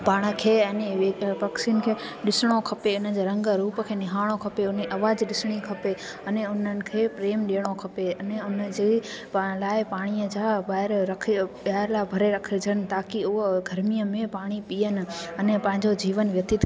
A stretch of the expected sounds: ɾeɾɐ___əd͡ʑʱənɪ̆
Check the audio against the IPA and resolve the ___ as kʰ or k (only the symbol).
kʰ